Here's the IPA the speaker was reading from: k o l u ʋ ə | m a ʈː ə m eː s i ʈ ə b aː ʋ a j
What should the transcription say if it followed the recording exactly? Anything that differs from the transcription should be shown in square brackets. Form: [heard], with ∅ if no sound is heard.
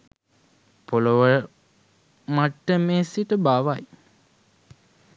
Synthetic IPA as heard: [p] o l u ʋ ə | m a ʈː ə m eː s i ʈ ə b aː ʋ a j